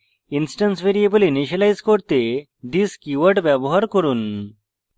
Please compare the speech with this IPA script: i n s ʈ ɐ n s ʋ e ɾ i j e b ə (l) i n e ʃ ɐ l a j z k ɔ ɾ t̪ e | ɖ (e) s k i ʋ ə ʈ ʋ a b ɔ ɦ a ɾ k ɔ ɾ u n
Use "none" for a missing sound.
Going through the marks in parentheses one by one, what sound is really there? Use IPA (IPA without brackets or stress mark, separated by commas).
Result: l, i